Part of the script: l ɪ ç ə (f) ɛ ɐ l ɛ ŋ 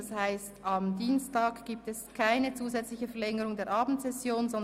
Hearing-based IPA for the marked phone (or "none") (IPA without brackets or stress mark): f